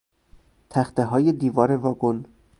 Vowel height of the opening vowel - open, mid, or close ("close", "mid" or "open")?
open